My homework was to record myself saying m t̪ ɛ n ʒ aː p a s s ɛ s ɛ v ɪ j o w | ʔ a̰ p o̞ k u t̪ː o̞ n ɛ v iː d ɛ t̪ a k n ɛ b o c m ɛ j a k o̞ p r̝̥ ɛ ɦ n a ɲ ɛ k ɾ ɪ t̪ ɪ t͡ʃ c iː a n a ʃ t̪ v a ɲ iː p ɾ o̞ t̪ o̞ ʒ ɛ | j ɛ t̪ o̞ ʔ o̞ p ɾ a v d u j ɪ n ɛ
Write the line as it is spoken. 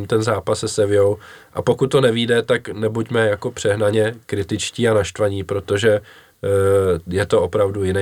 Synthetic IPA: m t̪ ɛ n z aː p a s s ɛ s ɛ v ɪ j o w | ʔ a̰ p o̞ k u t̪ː o̞ n ɛ v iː d ɛ t̪ a k n ɛ b u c m ɛ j a k o̞ p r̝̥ ɛ ɦ n a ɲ ɛ k ɾ ɪ t̪ ɪ t͡ʃ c iː a n a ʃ t̪ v a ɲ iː p ɾ o̞ t̪ o̞ ʒ ɛ | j ɛ t̪ o̞ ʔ o̞ p ɾ a v d u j ɪ n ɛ